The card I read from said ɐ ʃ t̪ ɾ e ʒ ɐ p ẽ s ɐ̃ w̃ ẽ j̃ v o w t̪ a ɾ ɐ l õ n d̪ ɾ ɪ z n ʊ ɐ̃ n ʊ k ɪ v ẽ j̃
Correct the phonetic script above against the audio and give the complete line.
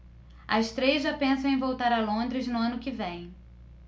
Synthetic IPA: ɐ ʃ t̪ ɾ e ʒ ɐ p ẽ s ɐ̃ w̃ ẽ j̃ v o w t̪ a ɾ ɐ l õ n d̪ ɾ ɪ z n ʊ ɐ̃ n ʊ k ɪ v ẽ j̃